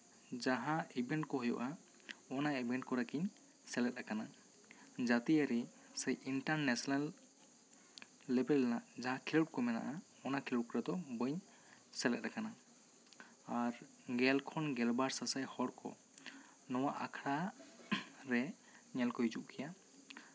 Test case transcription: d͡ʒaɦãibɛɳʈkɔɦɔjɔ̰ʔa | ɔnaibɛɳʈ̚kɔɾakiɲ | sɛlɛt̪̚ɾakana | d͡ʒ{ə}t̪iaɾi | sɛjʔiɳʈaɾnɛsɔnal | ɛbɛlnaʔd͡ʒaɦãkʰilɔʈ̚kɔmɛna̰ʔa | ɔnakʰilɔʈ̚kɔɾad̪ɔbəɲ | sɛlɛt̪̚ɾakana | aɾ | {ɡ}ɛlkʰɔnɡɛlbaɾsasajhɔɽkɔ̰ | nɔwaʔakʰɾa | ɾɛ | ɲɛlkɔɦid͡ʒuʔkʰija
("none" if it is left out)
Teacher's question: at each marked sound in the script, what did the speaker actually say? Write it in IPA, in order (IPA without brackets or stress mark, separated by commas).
a, ɡ